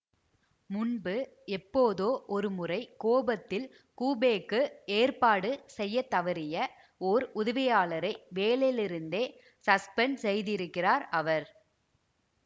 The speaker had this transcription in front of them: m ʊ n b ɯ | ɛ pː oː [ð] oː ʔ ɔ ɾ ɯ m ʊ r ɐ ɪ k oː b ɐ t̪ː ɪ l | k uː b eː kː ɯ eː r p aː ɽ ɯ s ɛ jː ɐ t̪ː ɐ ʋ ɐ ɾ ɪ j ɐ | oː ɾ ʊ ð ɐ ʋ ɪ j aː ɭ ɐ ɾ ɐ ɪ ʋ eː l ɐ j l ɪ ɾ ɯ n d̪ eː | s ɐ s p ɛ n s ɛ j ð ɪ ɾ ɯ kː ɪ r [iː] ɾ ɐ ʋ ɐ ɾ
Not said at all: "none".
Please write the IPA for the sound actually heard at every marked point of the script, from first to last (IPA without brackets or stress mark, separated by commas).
ð, aː